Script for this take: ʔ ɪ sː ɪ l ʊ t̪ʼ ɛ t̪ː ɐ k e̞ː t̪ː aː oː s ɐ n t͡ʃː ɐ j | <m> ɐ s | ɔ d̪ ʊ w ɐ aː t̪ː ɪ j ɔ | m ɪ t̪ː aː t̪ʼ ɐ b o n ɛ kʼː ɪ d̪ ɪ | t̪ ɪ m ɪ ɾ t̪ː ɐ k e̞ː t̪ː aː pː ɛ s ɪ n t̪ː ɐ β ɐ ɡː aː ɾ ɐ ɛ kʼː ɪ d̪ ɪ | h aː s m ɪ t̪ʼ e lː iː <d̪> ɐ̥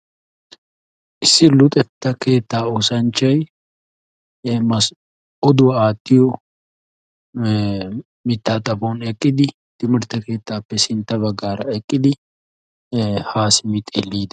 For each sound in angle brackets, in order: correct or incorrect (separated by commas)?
correct, correct